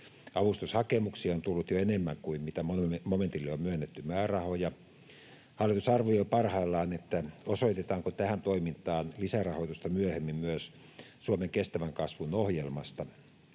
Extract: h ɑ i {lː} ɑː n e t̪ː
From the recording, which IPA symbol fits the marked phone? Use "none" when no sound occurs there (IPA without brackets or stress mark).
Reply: lː